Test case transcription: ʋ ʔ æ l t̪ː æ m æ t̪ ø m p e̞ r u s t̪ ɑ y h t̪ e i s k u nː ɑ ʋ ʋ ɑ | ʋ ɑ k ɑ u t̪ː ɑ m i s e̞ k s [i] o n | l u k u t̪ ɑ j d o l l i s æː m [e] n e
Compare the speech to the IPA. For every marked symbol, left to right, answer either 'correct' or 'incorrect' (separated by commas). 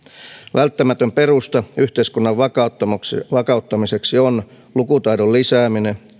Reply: correct, incorrect